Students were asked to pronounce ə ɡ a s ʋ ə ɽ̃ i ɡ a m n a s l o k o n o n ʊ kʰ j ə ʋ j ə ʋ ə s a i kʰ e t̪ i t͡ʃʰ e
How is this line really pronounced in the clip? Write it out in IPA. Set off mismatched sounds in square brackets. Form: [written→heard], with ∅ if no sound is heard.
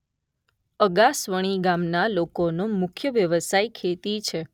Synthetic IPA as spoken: ə ɡ a s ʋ ə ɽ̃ i ɡ a m n a [s→∅] l o k o n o [n→m] ʊ kʰ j ə ʋ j ə ʋ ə s a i kʰ e t̪ i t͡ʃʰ e